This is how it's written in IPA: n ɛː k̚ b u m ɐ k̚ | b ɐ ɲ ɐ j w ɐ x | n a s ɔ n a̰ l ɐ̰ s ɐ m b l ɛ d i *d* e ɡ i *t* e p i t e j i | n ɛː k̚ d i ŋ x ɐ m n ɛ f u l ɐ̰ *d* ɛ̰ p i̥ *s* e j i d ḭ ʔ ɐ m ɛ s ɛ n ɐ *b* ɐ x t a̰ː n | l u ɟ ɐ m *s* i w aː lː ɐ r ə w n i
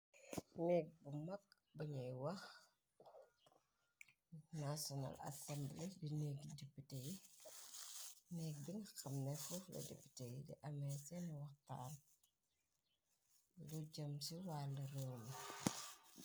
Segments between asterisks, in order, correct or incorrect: incorrect: n, incorrect: d, correct, incorrect: t, incorrect: w, correct

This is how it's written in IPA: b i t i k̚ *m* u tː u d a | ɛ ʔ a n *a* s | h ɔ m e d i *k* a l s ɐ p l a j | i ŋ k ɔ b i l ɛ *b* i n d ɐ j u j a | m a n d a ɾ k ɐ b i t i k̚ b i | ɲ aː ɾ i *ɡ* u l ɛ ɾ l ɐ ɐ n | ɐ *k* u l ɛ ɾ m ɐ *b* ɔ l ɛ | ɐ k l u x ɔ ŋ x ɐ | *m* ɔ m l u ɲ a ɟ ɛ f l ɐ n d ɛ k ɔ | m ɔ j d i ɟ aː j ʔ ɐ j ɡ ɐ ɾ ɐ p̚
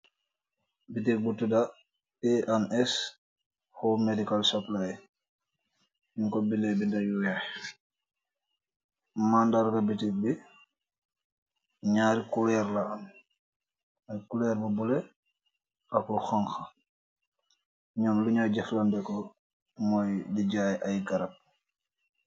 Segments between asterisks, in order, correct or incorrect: incorrect: b, incorrect: ɛ, correct, correct, incorrect: k, correct, correct, incorrect: ɲ

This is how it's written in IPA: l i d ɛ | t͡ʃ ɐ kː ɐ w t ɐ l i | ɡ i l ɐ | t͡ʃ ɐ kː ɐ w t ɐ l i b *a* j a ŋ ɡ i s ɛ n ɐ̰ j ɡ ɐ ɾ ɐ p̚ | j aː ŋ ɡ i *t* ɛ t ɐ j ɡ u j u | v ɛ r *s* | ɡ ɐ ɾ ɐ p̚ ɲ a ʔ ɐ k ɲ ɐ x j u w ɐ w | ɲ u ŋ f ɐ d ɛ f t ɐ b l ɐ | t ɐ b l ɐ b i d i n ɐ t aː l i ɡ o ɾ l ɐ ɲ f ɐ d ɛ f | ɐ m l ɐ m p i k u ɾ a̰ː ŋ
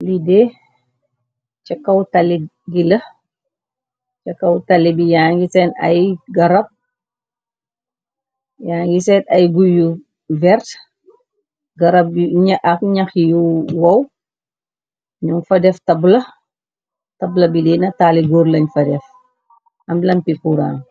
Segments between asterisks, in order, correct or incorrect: incorrect: i, incorrect: s, incorrect: t

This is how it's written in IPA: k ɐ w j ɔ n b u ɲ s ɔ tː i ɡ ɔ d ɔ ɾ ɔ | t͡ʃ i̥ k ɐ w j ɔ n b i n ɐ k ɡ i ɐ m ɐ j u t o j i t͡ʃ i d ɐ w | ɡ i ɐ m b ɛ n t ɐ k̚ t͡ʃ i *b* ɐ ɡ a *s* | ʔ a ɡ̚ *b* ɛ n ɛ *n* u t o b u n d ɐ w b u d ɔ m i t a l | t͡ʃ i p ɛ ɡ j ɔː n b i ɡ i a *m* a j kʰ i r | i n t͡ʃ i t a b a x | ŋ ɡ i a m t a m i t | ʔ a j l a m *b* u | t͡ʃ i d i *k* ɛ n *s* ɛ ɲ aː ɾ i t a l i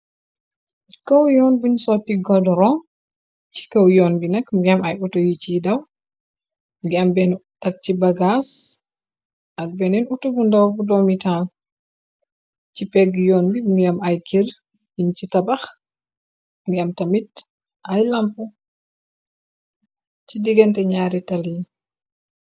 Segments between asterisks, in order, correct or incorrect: correct, correct, correct, correct, correct, incorrect: p, incorrect: ɡ, incorrect: t

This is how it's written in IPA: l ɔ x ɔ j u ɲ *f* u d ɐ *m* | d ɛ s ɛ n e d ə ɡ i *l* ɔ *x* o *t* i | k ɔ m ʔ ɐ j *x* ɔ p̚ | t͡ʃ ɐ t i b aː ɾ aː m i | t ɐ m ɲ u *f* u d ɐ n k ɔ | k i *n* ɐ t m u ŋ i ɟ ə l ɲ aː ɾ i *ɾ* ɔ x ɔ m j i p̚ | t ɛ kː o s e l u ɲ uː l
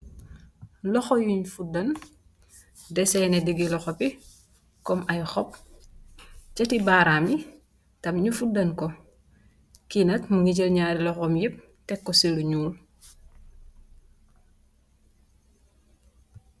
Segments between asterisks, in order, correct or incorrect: correct, incorrect: n, correct, correct, incorrect: p, correct, correct, correct, incorrect: l

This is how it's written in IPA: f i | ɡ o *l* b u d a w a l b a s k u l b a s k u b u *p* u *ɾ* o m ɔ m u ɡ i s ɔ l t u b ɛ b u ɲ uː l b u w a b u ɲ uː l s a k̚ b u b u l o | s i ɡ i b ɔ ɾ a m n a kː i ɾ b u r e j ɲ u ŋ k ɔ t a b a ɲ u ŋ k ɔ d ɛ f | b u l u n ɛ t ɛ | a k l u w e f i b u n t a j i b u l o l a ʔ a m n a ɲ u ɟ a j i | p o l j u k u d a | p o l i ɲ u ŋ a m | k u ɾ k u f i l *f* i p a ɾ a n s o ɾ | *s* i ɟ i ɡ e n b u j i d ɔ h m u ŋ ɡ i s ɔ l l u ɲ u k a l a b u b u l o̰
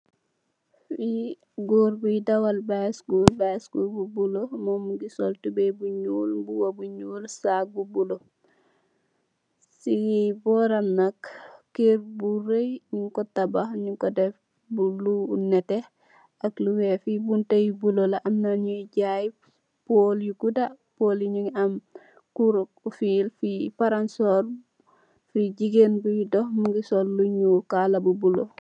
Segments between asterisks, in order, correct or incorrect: incorrect: ɾ, incorrect: b, incorrect: l, correct, incorrect: f

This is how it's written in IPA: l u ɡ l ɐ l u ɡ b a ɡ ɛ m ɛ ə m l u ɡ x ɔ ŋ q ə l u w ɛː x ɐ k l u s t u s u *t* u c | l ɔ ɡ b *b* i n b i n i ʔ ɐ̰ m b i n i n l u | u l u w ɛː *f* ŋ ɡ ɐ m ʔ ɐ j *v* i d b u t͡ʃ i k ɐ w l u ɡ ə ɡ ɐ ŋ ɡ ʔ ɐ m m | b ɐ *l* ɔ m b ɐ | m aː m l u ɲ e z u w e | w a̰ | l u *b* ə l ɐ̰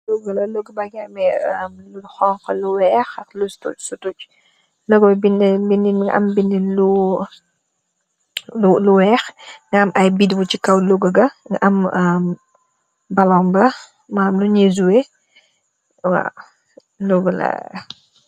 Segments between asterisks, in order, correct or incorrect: correct, correct, incorrect: x, incorrect: b, correct, incorrect: ɡ

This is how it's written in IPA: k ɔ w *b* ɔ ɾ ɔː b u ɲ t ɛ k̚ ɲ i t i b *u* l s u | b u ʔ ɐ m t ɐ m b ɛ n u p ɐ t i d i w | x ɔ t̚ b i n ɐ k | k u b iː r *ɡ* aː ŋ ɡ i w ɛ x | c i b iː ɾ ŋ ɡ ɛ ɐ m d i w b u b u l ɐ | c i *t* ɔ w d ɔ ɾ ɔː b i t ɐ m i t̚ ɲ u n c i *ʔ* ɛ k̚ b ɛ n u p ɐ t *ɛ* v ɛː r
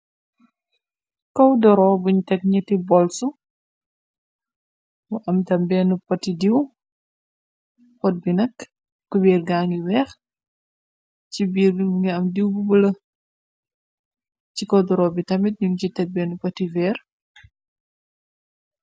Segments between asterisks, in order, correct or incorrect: incorrect: d, incorrect: ɔ, correct, incorrect: k, incorrect: t, incorrect: i

